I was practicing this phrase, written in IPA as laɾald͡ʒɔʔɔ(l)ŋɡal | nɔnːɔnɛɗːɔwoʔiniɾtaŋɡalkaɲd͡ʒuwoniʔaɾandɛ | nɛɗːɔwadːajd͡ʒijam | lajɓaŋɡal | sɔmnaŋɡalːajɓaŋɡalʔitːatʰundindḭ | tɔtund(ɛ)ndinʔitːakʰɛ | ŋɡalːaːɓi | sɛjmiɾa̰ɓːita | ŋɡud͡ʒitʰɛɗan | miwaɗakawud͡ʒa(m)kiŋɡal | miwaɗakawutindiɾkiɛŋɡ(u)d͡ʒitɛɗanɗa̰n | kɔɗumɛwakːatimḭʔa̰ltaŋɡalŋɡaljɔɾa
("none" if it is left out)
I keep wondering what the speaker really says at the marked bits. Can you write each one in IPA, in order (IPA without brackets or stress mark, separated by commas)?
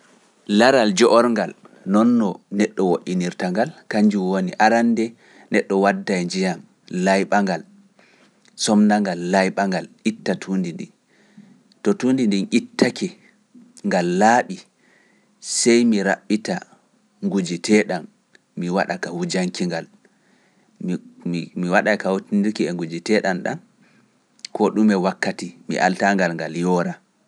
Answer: ɾ, i, ŋ, u